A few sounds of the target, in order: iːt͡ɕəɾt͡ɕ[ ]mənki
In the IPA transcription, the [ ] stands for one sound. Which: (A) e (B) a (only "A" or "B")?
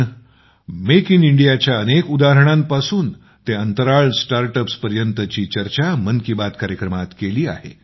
B